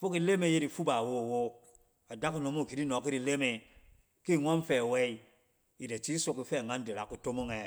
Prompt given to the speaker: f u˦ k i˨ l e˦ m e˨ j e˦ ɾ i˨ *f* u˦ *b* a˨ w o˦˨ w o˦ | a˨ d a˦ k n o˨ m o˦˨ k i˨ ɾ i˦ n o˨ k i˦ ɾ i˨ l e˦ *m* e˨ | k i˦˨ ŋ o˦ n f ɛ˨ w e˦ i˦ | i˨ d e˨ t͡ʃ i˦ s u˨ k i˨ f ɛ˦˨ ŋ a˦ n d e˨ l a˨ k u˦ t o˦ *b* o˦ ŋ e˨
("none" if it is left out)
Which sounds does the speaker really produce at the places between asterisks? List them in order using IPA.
f, b, m, m

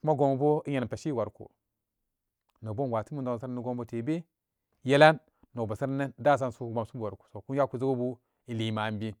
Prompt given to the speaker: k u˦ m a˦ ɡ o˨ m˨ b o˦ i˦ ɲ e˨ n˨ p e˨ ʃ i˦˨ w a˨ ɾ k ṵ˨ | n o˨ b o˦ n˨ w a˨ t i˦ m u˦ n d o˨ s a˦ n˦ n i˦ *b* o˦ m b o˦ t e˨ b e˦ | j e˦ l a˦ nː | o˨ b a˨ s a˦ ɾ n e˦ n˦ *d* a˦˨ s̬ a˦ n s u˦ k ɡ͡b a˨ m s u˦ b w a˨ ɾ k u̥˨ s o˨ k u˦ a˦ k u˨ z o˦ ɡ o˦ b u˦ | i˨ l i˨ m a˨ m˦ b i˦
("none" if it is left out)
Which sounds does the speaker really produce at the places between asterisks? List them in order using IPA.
ɡ, d

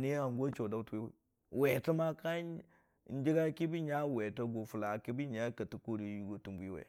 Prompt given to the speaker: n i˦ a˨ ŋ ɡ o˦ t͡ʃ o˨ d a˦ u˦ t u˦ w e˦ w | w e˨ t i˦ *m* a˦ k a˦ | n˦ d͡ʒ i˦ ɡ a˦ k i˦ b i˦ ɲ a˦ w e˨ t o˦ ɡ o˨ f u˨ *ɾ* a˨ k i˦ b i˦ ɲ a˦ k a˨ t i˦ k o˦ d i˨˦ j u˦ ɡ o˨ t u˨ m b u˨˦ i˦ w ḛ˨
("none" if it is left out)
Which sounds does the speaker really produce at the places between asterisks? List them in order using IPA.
m, l

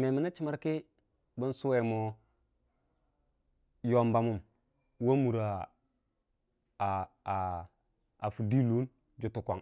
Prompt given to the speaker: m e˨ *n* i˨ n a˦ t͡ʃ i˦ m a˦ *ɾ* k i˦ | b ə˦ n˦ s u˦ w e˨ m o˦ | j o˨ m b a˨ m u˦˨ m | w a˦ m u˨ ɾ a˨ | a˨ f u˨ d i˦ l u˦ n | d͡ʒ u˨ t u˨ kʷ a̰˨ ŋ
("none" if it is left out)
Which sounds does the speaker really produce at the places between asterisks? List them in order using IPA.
m, ɾ

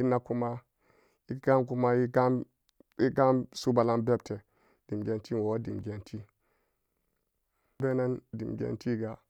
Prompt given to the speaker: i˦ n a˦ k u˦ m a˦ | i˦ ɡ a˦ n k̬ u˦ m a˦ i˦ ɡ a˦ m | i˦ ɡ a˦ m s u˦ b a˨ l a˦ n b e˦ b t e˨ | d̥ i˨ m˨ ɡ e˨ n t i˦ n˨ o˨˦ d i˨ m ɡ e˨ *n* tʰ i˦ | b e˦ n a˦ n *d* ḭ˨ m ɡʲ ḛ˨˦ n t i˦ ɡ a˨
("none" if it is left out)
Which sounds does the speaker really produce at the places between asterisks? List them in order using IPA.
n, d

